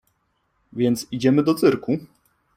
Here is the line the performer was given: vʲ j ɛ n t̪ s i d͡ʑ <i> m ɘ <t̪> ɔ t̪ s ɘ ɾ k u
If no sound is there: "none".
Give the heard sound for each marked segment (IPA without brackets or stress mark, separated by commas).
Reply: ɛ, d̪